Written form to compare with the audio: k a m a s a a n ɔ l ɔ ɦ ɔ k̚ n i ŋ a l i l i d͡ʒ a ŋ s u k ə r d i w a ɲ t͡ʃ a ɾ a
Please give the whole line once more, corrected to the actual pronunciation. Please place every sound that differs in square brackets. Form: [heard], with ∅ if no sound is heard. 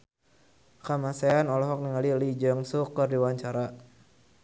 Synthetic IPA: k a m a s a a n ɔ l ɔ ɦ ɔ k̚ n i ŋ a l i l i d͡ʒ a ŋ s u k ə r d i w a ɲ t͡ʃ a ɾ a